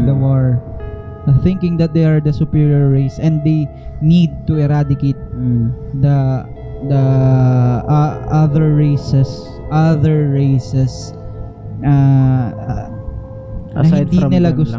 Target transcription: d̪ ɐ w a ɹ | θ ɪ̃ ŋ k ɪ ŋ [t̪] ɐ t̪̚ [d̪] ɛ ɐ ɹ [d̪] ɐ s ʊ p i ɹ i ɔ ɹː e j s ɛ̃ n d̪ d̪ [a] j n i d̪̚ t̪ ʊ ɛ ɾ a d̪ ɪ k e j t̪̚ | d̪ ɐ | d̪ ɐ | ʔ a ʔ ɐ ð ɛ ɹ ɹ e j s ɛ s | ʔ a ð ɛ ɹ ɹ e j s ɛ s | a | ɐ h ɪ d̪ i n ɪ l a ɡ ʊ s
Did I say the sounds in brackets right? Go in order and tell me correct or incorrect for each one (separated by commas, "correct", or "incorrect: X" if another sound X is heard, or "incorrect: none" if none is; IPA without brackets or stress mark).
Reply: incorrect: d̪, correct, correct, incorrect: e